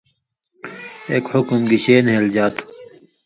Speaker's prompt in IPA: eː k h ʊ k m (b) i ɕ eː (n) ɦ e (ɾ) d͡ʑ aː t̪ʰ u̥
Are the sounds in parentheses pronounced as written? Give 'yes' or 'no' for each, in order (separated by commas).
no, yes, no